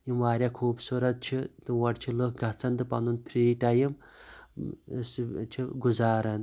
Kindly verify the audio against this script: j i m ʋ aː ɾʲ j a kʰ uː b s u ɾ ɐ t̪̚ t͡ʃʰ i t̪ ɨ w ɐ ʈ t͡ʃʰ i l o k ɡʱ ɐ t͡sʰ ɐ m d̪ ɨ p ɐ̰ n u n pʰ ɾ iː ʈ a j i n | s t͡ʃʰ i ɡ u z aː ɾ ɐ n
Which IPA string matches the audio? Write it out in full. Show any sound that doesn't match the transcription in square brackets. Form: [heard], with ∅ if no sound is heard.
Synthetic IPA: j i m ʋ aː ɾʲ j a kʰ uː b s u ɾ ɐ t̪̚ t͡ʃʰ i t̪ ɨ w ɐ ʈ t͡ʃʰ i l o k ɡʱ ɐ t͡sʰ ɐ [n] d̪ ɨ p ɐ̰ n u n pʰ ɾ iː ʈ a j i [m] | s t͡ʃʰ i ɡ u z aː ɾ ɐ n